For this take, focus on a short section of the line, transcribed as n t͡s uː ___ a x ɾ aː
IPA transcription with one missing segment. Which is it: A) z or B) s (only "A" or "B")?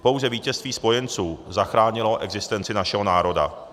A